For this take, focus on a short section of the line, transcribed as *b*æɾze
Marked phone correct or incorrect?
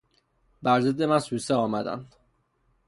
correct